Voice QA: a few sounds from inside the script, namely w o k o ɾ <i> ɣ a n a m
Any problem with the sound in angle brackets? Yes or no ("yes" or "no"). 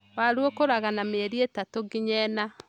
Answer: yes